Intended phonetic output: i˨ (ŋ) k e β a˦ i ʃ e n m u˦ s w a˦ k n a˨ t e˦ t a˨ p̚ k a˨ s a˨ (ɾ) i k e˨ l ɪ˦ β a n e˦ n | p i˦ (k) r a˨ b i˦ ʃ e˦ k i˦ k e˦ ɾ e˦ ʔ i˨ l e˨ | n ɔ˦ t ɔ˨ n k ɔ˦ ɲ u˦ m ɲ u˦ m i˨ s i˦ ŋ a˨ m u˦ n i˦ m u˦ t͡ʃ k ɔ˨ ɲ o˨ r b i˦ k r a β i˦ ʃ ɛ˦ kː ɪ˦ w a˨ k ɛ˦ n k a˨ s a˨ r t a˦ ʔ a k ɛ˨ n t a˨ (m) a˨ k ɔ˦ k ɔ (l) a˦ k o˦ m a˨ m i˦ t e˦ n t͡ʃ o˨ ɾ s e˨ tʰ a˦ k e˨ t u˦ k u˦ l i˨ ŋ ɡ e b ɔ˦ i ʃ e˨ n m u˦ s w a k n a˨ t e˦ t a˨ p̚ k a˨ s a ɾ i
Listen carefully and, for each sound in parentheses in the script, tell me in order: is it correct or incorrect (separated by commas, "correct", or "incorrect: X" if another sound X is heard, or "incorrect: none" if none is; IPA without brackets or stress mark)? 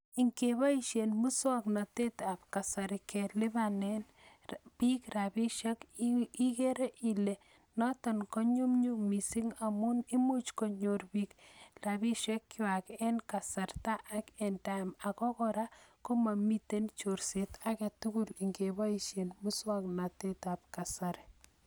correct, correct, correct, correct, incorrect: ɾ